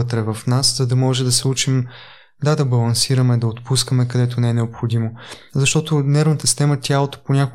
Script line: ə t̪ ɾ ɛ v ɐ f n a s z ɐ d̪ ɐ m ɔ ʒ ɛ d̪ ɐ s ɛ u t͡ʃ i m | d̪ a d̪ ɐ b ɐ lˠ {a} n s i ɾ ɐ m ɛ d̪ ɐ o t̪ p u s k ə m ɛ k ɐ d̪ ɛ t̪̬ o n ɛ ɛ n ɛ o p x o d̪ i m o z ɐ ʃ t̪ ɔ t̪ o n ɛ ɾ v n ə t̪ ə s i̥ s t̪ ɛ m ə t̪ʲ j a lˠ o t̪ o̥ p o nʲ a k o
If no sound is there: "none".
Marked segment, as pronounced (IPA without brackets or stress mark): ɐ